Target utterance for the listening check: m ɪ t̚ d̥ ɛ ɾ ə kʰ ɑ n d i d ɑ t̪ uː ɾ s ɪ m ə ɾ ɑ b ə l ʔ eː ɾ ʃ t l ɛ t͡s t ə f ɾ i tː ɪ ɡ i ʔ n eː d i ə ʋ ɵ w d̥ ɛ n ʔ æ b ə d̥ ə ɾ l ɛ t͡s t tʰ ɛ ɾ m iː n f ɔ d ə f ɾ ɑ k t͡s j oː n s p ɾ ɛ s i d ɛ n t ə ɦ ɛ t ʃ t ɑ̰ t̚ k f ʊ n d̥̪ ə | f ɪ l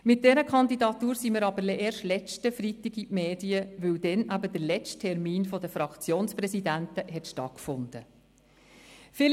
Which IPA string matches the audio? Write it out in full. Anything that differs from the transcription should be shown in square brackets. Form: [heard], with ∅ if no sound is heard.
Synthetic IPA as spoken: m ɪ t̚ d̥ ɛ ɾ ə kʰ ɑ n d i d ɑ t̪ uː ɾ s [i] m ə ɾ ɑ b ə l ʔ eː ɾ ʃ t l ɛ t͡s t ə f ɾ i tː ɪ ɡ i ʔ [m] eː d i ə ʋ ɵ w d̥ ɛ n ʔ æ b ə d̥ ə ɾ l ɛ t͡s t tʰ ɛ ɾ m iː n f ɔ d ə f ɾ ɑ k t͡s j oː n s p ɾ ɛ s i d [æ] n t ə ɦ ɛ t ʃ t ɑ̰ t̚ k f ʊ n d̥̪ ə | f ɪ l